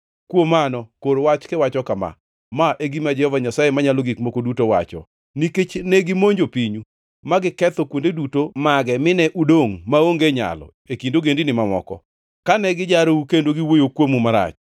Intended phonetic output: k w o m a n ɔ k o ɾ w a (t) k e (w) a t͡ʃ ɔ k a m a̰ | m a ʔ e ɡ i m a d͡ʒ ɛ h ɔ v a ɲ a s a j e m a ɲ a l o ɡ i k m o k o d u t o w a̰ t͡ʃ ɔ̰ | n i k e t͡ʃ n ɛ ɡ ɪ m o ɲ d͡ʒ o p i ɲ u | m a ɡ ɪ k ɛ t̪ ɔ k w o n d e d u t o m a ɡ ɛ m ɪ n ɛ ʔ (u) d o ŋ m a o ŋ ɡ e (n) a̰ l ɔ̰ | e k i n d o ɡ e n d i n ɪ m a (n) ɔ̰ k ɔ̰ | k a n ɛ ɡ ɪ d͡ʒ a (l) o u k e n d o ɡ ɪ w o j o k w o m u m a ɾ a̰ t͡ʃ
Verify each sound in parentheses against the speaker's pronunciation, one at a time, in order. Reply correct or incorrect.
incorrect, correct, correct, incorrect, incorrect, incorrect

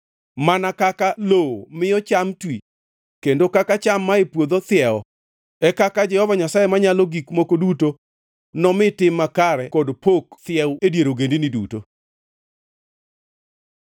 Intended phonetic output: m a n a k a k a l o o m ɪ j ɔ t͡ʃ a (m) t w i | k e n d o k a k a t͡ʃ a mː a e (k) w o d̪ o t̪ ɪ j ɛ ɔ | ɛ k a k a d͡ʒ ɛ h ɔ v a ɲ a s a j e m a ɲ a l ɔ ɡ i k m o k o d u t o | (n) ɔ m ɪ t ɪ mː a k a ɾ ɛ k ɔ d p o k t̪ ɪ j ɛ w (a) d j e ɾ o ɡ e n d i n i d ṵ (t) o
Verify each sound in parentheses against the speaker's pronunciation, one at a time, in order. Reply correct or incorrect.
correct, incorrect, correct, incorrect, correct

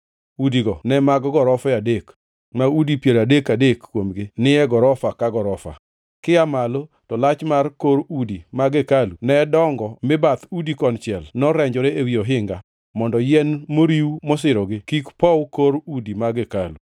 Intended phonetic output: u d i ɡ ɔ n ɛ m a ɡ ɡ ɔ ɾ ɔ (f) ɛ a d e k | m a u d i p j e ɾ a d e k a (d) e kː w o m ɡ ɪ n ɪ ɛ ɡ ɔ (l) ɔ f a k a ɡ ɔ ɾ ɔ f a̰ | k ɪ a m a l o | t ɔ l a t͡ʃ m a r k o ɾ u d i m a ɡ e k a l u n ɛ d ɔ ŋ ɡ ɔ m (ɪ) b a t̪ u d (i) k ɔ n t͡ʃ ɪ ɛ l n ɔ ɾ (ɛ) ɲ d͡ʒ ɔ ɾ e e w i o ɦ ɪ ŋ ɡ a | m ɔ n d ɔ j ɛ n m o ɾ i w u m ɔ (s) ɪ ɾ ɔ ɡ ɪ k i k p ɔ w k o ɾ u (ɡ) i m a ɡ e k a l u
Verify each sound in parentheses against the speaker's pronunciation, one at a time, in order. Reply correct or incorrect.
correct, correct, incorrect, correct, correct, correct, correct, incorrect

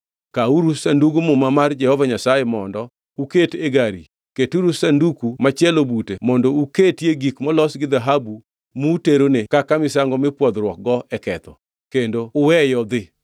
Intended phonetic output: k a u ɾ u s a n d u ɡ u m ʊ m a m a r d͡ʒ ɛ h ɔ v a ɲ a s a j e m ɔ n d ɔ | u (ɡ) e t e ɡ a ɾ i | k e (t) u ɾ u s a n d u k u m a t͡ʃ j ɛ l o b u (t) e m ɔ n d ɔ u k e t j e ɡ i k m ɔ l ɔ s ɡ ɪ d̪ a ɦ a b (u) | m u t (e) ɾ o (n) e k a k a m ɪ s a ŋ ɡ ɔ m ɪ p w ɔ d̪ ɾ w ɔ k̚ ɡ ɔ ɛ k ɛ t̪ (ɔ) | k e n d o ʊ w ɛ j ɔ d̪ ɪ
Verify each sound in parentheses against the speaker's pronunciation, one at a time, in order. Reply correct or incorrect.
incorrect, correct, correct, correct, correct, correct, correct

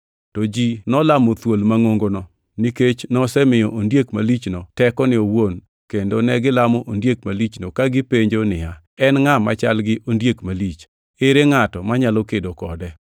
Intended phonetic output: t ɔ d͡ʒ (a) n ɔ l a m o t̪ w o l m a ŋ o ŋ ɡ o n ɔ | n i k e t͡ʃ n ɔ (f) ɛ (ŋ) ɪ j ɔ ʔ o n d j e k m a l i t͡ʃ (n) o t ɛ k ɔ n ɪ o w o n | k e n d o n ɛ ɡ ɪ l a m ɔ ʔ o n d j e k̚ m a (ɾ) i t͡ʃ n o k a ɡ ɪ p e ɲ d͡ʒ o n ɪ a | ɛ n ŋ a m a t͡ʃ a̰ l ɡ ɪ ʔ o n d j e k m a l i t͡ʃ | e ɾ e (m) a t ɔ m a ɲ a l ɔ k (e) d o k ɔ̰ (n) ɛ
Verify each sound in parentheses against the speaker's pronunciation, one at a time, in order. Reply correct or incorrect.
incorrect, incorrect, incorrect, correct, incorrect, incorrect, correct, incorrect

